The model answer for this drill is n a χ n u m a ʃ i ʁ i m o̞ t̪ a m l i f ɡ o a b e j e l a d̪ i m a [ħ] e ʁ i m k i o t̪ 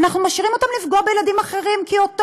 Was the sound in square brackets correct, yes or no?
no